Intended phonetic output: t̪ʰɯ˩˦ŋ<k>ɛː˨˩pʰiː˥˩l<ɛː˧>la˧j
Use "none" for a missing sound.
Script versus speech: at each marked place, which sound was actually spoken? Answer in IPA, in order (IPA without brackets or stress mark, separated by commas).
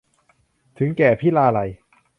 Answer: k, aː˧